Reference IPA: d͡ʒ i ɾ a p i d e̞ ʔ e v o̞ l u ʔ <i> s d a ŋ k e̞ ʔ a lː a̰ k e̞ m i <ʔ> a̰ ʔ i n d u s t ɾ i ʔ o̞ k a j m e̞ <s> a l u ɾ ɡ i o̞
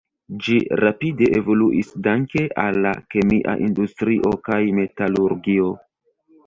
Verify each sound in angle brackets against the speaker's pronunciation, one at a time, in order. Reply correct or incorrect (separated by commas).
correct, correct, incorrect